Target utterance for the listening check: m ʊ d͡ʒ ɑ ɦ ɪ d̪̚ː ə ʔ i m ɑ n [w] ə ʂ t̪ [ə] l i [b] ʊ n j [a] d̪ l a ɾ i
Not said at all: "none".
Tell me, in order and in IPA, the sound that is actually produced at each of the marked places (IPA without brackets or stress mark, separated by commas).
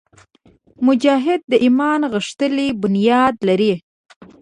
ɣ, ə, b, ɑ